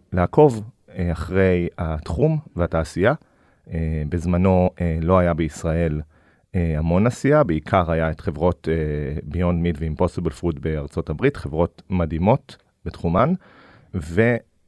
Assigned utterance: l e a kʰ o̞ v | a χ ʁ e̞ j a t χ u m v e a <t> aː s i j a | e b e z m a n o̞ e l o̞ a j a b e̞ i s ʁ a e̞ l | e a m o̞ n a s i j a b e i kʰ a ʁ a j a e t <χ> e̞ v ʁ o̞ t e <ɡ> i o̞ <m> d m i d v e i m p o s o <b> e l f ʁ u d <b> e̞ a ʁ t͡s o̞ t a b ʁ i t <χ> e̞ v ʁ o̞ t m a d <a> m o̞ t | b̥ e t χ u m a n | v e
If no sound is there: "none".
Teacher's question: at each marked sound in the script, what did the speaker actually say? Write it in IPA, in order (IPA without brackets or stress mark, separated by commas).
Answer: t, χ, b, n, b, b, χ, i